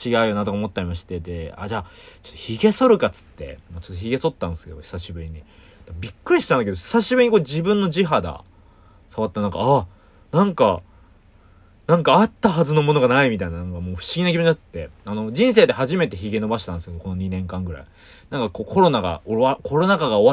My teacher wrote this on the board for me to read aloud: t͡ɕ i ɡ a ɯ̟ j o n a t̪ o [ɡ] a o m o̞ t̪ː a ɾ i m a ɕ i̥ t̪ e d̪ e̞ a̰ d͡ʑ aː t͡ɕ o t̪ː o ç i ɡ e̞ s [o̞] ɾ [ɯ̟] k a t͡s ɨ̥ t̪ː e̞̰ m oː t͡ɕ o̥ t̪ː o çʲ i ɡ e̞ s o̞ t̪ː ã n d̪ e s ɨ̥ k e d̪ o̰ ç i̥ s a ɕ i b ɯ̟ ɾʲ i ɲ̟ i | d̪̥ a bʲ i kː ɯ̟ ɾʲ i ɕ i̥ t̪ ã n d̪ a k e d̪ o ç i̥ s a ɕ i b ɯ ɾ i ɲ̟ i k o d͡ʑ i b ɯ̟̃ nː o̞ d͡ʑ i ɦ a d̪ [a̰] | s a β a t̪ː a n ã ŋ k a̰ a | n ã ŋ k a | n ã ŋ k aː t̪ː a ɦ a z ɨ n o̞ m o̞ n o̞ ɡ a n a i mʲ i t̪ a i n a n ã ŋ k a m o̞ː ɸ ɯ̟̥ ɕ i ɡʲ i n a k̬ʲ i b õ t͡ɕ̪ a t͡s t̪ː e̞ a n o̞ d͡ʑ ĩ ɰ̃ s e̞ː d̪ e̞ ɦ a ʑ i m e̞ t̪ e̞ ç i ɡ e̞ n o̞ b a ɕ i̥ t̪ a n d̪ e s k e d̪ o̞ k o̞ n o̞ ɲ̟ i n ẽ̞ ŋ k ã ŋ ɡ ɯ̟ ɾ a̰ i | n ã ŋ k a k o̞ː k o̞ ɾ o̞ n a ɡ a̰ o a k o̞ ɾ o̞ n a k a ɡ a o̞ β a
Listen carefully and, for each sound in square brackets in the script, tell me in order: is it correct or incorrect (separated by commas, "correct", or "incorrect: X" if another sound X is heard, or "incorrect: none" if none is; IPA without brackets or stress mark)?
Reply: incorrect: k, correct, correct, correct